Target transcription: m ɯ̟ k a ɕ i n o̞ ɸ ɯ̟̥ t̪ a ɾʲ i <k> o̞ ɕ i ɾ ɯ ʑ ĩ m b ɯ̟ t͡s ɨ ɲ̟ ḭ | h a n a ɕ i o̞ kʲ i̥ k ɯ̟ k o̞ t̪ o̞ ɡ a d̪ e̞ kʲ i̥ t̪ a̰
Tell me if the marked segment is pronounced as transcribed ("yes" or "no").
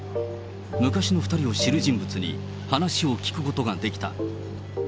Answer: no